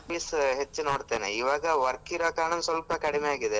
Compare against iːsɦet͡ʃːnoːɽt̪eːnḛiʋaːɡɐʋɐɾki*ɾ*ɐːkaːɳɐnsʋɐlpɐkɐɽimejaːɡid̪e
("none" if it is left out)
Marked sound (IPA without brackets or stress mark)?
ɾ